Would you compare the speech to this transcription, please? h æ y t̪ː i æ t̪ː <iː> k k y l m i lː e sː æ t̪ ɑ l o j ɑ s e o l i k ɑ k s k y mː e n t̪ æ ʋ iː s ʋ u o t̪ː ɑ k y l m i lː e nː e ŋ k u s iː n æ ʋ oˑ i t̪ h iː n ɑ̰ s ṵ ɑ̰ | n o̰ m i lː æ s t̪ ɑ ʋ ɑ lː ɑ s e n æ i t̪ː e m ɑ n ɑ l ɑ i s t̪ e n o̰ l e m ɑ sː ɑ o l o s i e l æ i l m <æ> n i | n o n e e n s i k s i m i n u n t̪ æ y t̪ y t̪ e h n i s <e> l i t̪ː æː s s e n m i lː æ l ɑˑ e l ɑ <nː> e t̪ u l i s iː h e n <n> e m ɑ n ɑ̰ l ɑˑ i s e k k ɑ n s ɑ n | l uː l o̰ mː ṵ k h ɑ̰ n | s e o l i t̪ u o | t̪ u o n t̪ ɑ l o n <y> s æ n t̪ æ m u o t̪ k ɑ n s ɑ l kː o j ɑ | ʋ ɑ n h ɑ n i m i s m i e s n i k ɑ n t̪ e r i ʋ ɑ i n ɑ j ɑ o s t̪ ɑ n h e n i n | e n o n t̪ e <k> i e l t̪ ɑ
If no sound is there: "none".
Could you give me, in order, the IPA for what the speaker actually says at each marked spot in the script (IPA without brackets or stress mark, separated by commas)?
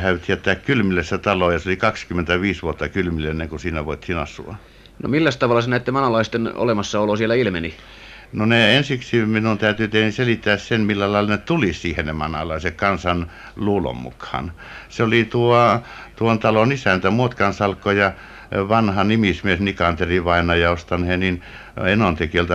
æː, e, e, n, n, i, k